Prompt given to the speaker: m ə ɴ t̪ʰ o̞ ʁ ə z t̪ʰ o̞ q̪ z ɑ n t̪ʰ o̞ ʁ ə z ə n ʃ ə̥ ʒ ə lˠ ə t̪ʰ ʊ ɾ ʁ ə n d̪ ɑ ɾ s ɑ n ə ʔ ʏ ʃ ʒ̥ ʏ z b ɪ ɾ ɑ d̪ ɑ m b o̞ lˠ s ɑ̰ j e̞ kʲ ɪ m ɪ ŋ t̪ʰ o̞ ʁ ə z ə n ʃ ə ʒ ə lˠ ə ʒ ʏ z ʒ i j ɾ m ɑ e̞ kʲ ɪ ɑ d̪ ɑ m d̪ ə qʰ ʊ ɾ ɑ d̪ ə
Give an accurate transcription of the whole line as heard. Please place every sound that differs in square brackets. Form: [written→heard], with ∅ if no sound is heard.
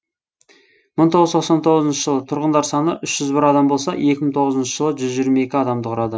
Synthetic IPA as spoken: m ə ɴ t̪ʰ o̞ ʁ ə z t̪ʰ o̞ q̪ [z→s] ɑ n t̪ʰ o̞ ʁ ə z ə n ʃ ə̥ ʒ ə lˠ ə t̪ʰ ʊ ɾ ʁ ə n d̪ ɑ ɾ s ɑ n ə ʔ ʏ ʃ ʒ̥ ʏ z b ɪ ɾ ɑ d̪ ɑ m b o̞ lˠ s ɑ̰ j e̞ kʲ ɪ m ɪ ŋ t̪ʰ o̞ ʁ ə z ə n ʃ ə ʒ ə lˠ ə ʒ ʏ z ʒ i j ɾ m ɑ e̞ kʲ ɪ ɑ d̪ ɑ m d̪ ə qʰ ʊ ɾ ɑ d̪ ə